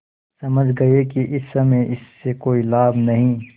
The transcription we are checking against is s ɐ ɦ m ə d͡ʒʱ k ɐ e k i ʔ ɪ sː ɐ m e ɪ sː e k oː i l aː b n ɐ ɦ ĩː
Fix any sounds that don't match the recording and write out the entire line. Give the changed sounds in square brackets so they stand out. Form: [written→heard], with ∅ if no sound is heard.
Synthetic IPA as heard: s ɐ [ɦ→∅] m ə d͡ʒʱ [k→ɡ] ɐ e k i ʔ ɪ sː ɐ m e ɪ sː e k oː i l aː b n ɐ ɦ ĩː